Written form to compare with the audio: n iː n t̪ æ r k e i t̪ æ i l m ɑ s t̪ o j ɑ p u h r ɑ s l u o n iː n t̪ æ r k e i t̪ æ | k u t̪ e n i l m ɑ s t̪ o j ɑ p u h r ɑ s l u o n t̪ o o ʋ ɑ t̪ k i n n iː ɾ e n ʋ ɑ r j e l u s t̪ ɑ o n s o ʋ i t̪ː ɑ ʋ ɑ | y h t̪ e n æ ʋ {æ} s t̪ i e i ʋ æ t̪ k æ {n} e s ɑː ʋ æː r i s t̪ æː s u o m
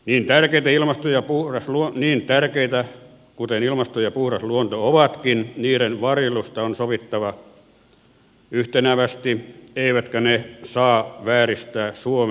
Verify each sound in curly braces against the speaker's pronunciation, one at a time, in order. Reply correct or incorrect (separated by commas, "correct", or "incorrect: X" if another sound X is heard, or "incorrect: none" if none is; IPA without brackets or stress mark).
correct, correct